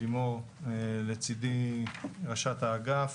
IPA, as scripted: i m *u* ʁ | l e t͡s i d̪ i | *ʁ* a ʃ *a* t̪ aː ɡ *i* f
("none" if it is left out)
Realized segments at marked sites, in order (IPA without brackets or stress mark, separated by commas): o, ʁ, a, a